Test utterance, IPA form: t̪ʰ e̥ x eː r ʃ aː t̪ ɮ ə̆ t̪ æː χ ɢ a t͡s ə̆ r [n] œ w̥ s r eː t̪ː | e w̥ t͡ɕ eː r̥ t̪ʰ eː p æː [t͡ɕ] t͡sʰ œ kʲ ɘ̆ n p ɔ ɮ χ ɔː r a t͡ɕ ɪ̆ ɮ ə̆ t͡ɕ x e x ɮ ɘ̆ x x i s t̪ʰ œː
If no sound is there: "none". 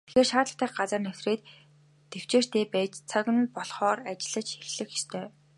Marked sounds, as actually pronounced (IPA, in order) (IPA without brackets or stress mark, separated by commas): n, t͡ɕ